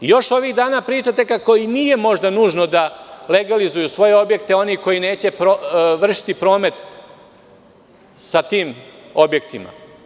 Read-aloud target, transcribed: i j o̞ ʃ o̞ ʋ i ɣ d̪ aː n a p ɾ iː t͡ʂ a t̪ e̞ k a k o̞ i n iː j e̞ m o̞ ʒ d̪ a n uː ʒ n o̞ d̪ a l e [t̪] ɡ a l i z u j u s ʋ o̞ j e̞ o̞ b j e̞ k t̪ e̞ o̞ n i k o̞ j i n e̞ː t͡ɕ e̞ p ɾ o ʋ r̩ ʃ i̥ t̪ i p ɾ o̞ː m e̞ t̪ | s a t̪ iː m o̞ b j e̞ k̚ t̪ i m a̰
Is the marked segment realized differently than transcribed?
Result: yes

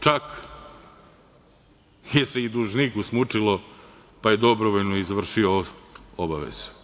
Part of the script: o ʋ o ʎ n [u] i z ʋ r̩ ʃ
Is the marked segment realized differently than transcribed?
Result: yes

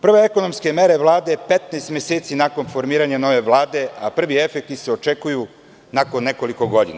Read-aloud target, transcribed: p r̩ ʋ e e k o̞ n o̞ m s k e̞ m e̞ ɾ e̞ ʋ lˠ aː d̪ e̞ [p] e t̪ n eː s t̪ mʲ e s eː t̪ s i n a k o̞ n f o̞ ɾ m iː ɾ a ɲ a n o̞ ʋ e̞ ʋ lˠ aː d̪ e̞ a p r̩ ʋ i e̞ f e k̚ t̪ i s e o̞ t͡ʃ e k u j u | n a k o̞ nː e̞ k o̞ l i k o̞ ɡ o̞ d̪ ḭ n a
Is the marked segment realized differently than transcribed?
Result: no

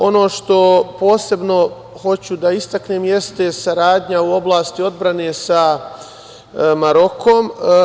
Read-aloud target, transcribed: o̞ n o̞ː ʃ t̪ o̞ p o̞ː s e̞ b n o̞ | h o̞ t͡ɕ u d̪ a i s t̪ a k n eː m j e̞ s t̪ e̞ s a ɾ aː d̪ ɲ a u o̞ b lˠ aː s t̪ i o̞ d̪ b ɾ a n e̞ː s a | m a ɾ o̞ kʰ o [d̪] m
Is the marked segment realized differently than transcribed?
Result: yes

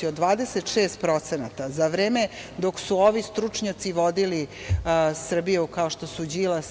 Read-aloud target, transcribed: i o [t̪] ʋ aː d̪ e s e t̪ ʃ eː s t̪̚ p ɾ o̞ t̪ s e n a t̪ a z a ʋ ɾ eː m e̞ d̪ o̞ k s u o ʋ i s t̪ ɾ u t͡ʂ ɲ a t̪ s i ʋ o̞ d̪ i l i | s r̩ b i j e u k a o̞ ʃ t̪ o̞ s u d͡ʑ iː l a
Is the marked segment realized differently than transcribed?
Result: yes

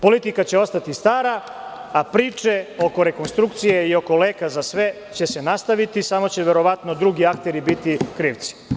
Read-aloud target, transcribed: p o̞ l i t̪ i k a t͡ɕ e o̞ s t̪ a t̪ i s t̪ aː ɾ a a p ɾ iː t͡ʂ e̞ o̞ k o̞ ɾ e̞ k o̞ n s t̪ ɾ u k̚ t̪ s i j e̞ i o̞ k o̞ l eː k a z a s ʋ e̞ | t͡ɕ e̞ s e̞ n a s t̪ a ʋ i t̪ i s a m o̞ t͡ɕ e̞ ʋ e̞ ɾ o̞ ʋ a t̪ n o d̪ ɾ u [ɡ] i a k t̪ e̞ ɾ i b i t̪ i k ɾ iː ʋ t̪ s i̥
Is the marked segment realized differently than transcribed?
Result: no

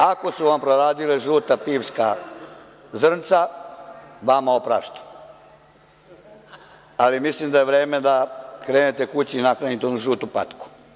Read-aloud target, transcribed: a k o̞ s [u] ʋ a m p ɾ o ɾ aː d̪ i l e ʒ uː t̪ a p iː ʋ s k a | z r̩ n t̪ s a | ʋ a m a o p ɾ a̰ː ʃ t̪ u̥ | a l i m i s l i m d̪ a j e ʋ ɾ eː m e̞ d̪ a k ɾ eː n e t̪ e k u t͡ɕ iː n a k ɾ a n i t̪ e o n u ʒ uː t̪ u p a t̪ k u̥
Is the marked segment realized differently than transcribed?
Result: no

